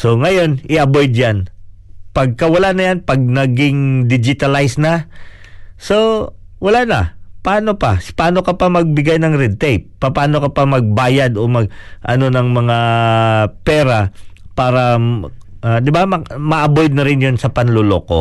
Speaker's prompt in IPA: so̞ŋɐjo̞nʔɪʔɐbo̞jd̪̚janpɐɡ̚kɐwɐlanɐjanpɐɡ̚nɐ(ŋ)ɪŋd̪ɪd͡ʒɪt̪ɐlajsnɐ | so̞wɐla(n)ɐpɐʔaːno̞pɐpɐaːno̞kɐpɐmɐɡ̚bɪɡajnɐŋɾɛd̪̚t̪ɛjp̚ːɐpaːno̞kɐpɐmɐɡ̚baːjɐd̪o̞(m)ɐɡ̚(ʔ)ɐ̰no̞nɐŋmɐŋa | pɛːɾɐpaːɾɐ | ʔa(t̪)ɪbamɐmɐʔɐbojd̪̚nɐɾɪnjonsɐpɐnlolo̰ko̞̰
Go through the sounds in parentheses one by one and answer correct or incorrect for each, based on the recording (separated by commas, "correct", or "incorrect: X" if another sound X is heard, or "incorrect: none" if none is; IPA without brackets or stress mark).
incorrect: ɡ, correct, correct, correct, incorrect: d̪